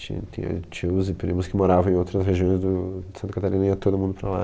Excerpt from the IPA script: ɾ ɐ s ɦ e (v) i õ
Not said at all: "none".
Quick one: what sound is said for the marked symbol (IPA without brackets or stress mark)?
ʒ